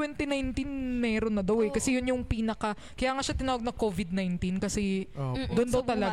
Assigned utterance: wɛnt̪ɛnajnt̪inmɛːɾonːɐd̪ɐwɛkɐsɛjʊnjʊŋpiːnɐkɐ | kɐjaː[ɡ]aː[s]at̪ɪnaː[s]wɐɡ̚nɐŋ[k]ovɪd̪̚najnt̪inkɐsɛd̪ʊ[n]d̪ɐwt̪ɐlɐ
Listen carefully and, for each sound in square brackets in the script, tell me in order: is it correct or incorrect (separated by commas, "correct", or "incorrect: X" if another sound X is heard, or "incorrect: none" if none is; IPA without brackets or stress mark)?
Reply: incorrect: ŋ, incorrect: ʃ, incorrect: none, correct, correct